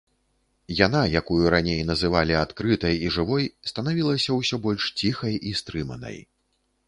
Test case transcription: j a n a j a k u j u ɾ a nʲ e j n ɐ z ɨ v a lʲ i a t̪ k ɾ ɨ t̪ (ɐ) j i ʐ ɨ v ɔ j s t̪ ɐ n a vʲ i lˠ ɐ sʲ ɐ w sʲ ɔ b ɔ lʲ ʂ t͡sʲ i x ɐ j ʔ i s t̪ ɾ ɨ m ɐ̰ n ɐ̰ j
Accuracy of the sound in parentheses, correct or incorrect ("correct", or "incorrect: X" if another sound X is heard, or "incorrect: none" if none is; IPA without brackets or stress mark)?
correct